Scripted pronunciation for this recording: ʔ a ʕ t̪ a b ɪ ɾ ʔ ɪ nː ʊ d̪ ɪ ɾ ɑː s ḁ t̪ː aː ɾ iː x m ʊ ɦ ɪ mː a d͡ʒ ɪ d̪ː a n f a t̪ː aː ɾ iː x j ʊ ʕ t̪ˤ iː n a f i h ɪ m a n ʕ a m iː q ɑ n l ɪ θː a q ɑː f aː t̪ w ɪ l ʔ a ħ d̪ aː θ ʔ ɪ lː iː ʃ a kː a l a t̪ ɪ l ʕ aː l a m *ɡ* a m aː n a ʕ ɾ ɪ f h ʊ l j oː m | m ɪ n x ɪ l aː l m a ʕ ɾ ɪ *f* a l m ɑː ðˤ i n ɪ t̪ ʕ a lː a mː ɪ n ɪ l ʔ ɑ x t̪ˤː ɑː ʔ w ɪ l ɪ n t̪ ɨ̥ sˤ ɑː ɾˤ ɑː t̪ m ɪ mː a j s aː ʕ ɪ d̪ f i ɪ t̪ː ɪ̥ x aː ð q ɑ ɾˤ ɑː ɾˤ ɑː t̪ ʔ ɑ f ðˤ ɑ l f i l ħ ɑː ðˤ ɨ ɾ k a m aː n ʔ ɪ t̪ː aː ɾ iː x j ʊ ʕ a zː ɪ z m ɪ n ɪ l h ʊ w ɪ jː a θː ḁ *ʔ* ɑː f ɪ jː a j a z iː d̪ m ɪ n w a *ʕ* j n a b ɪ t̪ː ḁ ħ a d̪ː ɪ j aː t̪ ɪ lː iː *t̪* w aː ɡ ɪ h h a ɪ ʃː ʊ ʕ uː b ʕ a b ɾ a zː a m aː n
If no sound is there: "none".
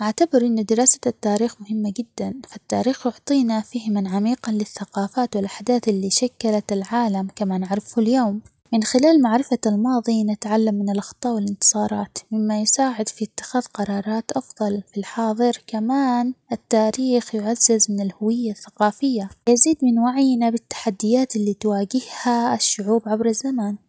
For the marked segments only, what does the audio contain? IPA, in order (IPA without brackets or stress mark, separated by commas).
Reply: k, f, q, ʕ, t̪